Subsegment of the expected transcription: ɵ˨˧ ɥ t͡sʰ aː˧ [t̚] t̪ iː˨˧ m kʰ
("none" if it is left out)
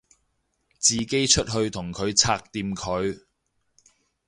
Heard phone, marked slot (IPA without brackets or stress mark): k̚